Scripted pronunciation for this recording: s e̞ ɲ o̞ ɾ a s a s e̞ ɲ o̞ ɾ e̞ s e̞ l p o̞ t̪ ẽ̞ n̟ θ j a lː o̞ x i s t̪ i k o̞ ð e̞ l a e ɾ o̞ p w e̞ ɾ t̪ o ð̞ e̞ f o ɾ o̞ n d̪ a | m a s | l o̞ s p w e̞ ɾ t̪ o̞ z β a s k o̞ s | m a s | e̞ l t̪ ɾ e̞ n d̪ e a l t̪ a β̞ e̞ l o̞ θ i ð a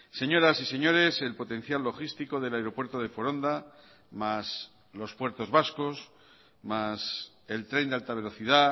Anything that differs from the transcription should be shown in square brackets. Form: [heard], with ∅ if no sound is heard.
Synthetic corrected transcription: s e̞ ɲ o̞ ɾ a s [i] s e̞ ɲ o̞ ɾ e̞ s e̞ l p o̞ t̪ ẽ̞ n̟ θ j a lː o̞ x i s t̪ i k o̞ ð e̞ l a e ɾ o̞ p w e̞ ɾ t̪ o ð̞ e̞ f o ɾ o̞ n d̪ a | m a s | l o̞ s p w e̞ ɾ t̪ o̞ z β a s k o̞ s | m a s | e̞ l t̪ ɾ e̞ n d̪ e a l t̪ a β̞ e̞ l o̞ θ i ð a